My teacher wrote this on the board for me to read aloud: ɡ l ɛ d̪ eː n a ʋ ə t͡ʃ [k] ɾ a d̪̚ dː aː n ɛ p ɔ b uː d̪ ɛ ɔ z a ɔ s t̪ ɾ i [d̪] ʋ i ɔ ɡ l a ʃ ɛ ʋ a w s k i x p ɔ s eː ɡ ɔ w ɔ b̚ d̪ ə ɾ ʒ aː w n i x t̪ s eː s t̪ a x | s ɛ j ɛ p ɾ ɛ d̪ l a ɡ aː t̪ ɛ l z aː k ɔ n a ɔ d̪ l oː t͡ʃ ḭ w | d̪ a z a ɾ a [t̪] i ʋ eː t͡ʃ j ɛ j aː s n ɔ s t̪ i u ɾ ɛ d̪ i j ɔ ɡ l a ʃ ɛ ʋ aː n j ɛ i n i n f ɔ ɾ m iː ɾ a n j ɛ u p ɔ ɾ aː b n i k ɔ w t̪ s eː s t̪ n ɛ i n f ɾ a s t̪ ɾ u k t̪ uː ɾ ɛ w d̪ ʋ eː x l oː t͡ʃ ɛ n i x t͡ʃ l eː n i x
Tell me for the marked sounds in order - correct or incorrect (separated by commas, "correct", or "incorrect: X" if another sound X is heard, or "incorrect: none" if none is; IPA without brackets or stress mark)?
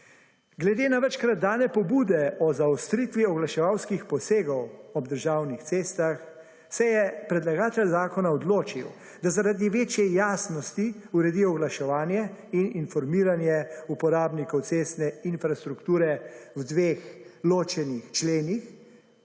correct, incorrect: t̪, incorrect: d̪